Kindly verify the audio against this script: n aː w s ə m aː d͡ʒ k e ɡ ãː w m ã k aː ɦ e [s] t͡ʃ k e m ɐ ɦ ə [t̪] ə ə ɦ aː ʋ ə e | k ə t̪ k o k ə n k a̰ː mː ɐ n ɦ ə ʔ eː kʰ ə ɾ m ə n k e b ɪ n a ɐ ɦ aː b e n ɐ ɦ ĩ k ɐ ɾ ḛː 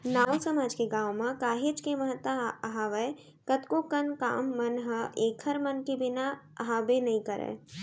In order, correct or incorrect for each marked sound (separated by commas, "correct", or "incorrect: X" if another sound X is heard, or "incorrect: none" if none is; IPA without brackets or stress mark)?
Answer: incorrect: none, correct